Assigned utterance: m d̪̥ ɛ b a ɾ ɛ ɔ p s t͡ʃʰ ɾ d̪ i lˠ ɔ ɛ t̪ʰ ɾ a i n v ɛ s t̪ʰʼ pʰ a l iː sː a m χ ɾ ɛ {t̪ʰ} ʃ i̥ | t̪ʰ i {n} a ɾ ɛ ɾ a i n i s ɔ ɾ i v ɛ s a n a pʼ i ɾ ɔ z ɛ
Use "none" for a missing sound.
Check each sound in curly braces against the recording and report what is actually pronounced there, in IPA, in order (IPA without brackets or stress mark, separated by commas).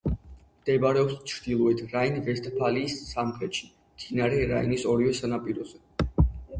t̪, n